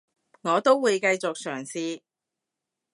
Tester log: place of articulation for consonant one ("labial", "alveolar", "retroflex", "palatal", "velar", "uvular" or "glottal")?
velar